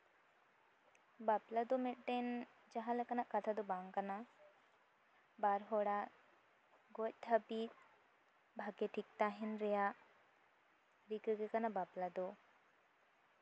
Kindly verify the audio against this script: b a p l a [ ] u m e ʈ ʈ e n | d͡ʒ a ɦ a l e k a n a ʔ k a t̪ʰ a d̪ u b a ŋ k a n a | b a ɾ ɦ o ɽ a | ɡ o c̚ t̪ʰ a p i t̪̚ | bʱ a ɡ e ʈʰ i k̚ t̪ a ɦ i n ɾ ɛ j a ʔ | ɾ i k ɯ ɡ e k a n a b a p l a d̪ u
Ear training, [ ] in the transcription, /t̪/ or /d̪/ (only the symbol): d̪